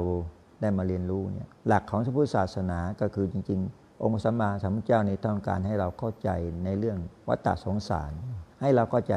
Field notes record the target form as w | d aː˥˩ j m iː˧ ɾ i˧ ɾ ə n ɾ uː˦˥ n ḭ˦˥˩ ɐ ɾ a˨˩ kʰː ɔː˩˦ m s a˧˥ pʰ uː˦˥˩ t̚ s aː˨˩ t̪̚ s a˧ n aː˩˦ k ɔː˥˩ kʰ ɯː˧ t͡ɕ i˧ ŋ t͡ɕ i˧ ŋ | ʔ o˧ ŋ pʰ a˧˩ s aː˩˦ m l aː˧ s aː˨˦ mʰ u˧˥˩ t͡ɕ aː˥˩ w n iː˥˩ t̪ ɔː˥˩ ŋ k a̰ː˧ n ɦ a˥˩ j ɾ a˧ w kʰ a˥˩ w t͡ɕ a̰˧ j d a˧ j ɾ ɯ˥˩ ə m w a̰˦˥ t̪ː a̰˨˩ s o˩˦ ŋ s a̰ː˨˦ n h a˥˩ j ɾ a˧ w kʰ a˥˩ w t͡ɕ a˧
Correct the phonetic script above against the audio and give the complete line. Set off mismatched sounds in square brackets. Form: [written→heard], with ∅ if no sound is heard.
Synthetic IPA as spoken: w | d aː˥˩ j m [iː˧→aː˧] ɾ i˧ [ɾ→∅] ə n ɾ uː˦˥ n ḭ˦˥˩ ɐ [ɾ→l] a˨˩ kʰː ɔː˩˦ [m→ŋ] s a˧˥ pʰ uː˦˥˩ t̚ s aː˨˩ t̪̚ s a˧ n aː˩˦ k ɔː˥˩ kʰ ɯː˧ t͡ɕ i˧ ŋ t͡ɕ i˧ ŋ | ʔ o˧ ŋ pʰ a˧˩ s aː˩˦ m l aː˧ s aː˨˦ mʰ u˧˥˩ t͡ɕ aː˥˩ w n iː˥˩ t̪ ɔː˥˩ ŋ k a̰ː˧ n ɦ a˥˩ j ɾ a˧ w kʰ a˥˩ w t͡ɕ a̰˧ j [d→n] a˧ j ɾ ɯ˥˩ ə [m→ŋ] w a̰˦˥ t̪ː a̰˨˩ s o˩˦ ŋ s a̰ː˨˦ n h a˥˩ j ɾ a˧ w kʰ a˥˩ w t͡ɕ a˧